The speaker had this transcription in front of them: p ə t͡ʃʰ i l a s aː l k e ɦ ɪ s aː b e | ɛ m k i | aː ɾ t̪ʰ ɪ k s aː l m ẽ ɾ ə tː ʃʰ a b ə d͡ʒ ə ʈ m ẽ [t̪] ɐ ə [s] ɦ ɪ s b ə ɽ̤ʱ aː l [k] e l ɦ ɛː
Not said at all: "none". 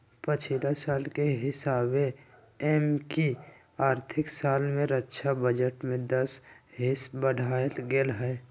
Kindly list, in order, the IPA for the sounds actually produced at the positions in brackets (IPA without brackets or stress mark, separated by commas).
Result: d̪, s, ɡ